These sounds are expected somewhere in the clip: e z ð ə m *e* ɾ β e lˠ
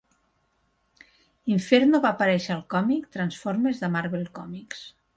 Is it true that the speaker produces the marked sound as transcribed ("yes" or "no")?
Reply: no